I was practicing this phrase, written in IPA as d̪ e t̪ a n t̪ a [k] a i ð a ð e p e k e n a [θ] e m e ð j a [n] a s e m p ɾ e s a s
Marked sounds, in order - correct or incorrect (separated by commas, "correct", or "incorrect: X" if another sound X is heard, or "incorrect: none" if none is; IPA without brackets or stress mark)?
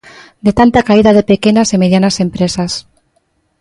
correct, incorrect: s, correct